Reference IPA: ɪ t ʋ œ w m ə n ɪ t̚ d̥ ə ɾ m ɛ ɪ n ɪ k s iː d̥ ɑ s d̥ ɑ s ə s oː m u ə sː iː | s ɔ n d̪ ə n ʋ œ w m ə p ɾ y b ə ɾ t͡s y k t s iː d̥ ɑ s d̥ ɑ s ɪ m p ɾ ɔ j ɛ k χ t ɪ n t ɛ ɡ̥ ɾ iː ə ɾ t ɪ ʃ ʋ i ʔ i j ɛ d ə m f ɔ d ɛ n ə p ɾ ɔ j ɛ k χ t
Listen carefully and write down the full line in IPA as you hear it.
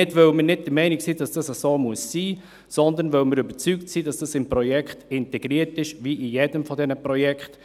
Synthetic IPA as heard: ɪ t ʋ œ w m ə n ɪ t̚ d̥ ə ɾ m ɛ ɪ n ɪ k s iː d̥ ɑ s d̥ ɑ s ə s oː m u ə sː iː | s ɔ n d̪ ə n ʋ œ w m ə ɾ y b ə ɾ t͡s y k t s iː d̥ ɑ s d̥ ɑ s ɪ m p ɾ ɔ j ɛ k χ t ɪ n t ɛ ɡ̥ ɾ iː ə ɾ t ɪ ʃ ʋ i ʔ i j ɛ d ə m f ɔ d ɛ n ə p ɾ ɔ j ɛ k χ t